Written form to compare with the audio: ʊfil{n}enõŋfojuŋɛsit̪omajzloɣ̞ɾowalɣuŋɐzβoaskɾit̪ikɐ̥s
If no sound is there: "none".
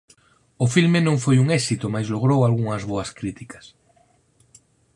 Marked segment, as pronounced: m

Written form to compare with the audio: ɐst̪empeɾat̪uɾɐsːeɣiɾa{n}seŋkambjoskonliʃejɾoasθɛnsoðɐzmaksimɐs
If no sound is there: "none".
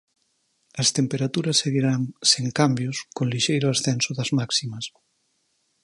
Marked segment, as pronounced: ŋ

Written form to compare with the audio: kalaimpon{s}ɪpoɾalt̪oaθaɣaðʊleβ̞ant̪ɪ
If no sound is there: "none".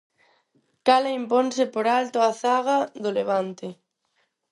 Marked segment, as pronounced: s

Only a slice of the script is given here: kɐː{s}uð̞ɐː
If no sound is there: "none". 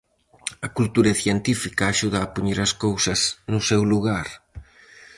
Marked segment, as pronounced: ʃ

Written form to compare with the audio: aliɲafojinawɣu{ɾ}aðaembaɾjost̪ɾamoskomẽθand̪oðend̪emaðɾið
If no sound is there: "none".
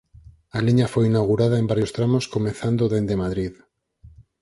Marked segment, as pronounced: ɾ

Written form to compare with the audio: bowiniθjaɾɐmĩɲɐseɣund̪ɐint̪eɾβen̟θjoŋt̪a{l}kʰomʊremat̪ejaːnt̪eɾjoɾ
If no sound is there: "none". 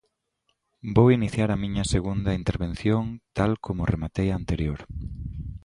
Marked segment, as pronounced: l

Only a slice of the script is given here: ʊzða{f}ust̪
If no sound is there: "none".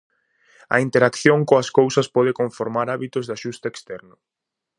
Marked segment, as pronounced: ʃ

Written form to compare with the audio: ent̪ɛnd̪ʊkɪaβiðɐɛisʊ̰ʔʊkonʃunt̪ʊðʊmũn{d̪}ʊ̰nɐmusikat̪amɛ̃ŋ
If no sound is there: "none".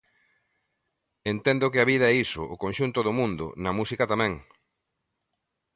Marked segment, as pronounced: d̪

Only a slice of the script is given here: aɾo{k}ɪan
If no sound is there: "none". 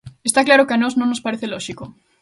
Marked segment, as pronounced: k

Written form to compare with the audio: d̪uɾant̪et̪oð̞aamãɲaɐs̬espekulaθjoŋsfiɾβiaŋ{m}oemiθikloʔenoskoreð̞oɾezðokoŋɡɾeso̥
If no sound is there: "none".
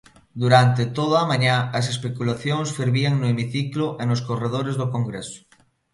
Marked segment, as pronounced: n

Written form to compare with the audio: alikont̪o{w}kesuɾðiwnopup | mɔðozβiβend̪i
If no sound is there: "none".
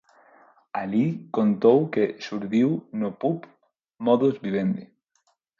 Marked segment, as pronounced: w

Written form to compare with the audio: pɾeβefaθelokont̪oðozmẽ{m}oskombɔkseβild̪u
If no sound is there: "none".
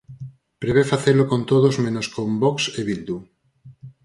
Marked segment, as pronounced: n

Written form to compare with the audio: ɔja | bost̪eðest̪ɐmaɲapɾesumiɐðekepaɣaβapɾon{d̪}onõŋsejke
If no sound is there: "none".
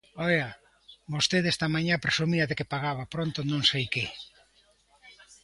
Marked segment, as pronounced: t̪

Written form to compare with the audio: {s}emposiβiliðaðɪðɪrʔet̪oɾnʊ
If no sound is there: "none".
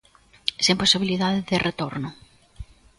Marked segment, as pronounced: s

